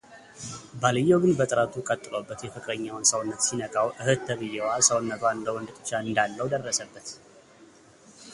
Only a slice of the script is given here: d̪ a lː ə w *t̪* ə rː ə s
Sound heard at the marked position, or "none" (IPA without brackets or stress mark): d̪